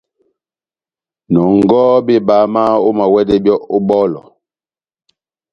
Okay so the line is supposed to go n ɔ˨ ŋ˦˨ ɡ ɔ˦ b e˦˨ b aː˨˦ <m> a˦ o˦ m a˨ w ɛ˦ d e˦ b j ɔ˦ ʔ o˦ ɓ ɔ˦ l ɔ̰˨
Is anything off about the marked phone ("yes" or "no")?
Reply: no